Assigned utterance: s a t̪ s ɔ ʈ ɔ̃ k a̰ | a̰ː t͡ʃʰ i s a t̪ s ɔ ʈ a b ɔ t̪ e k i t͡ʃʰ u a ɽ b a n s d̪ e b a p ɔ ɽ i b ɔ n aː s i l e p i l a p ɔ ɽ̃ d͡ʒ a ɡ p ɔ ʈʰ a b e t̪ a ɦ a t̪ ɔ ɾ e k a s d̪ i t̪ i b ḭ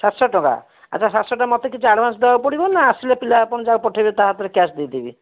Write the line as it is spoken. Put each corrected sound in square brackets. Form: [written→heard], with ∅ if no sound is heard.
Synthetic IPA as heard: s a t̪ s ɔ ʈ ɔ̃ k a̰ | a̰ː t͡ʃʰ [i→a] s a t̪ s ɔ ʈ a [b→m] ɔ t̪ e k i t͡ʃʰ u a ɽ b a n s d̪ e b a p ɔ ɽ i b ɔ n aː s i l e p i l a p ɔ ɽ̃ d͡ʒ a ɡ p ɔ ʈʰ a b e t̪ a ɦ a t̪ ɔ ɾ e k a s d̪ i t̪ i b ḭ